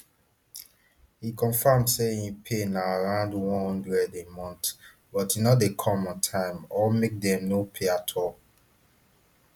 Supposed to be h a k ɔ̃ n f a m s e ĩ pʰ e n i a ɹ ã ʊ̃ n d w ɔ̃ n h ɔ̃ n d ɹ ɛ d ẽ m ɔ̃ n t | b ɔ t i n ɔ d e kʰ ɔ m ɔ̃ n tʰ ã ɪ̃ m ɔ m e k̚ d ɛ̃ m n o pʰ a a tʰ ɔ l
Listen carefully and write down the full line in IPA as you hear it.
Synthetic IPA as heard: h i k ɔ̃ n f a m s e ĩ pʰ e n a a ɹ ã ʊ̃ n d w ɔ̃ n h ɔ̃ n d ɹ ɛ d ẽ m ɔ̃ n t | b ɔ t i n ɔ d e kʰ ɔ m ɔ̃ n tʰ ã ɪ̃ m ɔ m e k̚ d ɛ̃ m n o pʰ e a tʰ ɔ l